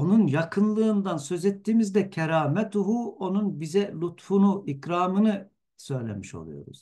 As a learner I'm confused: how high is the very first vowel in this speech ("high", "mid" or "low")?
mid